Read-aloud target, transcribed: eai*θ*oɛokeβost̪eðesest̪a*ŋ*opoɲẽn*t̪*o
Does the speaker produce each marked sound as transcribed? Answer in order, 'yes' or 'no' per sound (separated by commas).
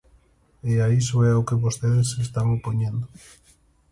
no, yes, no